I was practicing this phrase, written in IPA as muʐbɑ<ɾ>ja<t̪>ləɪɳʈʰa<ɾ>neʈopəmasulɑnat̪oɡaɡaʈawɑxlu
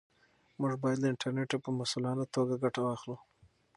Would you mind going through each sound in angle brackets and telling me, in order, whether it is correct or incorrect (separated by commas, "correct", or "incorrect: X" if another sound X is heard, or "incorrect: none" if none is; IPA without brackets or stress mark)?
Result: incorrect: none, incorrect: d̪, correct